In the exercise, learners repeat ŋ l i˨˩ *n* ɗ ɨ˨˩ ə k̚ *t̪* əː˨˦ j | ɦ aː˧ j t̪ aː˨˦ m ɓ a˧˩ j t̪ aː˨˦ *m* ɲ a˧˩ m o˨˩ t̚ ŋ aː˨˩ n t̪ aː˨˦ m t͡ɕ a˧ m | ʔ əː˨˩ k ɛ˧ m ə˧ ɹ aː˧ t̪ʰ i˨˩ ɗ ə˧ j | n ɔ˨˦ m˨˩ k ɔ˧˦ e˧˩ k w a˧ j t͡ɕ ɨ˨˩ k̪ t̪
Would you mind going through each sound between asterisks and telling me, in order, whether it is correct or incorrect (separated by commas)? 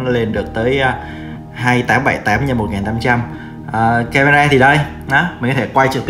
correct, correct, correct